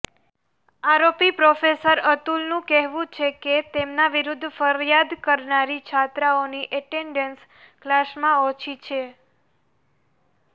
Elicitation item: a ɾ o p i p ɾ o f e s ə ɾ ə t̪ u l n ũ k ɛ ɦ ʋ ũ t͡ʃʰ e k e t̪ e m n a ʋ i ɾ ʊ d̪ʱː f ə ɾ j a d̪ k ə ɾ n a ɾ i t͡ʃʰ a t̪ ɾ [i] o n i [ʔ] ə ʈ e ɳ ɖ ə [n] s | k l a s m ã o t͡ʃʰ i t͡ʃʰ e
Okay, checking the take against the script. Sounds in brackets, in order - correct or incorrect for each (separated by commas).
incorrect, correct, correct